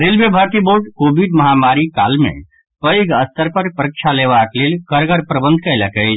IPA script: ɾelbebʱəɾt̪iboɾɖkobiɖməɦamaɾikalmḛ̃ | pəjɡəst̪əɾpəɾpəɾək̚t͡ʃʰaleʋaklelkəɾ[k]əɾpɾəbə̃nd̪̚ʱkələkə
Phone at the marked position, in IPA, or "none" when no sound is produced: ɡ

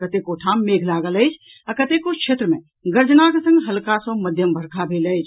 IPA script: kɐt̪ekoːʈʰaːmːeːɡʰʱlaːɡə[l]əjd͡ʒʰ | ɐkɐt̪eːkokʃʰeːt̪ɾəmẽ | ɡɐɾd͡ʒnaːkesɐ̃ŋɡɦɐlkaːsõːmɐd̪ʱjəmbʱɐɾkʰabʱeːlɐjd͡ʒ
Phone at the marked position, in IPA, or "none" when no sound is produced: l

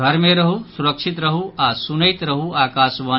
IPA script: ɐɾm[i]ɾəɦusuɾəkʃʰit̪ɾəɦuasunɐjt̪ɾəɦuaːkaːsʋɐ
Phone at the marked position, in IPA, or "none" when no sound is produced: e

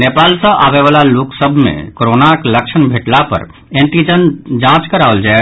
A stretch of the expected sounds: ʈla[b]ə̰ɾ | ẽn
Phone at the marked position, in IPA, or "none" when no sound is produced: p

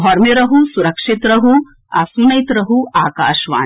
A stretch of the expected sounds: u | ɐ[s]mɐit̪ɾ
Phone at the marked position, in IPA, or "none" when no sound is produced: s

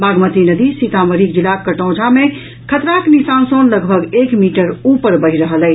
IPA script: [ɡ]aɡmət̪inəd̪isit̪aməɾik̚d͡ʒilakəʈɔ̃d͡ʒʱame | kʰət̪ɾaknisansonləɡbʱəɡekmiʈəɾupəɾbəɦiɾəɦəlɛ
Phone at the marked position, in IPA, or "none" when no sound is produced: b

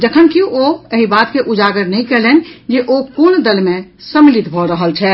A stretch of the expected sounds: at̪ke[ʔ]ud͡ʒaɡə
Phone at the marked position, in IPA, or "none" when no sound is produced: ʔ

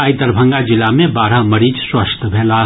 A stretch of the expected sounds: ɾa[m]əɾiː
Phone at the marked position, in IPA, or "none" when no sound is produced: m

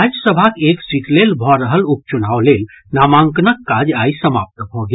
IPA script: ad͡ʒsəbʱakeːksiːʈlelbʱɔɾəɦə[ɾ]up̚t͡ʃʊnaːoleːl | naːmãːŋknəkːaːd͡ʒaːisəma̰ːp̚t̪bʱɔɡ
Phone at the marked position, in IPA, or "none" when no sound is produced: l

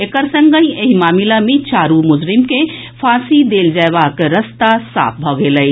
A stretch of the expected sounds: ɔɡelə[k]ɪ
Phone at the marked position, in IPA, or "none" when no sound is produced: none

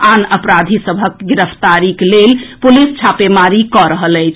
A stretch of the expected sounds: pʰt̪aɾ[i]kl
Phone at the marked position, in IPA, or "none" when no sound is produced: i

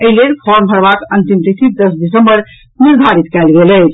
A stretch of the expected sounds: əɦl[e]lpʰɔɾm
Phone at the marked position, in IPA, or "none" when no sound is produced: e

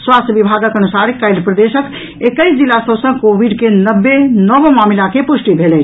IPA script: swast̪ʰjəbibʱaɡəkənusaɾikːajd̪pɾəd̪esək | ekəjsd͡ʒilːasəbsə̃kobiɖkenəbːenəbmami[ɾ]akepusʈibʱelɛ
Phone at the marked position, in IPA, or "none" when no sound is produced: l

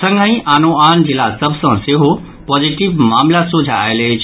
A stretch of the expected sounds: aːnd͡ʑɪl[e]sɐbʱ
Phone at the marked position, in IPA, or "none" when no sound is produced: a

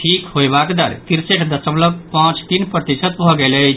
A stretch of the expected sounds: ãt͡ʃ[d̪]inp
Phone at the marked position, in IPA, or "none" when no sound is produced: t̪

